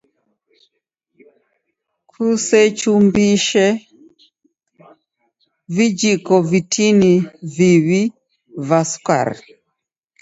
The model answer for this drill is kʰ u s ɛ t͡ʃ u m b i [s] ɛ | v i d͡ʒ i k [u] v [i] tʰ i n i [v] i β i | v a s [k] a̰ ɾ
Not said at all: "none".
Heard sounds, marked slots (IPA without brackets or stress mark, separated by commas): ʃ, ɔ, i, v, k